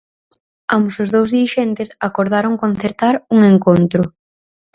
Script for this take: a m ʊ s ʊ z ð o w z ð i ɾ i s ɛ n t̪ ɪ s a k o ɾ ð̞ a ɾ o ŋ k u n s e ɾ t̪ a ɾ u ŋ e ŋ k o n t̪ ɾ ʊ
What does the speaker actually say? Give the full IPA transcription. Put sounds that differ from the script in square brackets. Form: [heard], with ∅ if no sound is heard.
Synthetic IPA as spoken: a m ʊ s ʊ z ð o w z ð i ɾ i [ʃ] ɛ n t̪ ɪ s a k o ɾ ð̞ a ɾ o ŋ k [o] n [θ] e ɾ t̪ a ɾ u ŋ e ŋ k o n t̪ ɾ ʊ